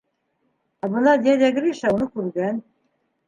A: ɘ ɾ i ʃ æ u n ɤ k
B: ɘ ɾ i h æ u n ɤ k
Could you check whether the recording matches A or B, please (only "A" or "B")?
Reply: A